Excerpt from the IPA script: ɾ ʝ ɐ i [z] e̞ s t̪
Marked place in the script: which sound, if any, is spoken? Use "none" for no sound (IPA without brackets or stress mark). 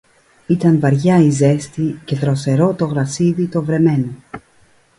z